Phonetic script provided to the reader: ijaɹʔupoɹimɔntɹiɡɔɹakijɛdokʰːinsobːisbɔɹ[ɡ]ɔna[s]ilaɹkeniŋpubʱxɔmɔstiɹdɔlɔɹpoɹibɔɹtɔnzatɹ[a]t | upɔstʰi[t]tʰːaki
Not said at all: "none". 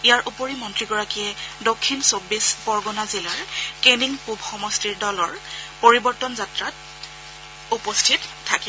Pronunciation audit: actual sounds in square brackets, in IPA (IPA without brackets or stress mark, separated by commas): ɡ, z, a, t